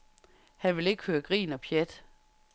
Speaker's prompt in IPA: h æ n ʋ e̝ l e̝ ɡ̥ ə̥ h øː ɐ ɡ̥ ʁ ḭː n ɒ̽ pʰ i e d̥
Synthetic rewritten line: h æ n ʋ e̝ l e̝ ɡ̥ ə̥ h øː ɐ ɡ̥ ʁ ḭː n ɒ̽ pʰ j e d̥